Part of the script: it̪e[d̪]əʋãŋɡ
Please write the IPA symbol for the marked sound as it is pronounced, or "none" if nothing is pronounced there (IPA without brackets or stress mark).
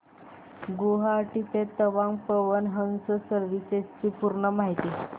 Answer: t̪